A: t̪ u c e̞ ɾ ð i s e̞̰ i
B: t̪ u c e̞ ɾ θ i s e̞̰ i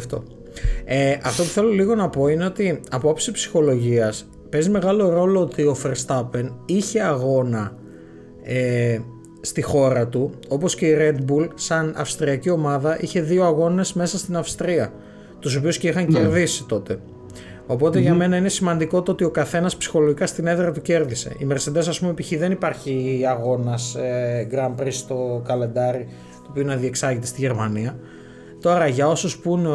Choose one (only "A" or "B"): A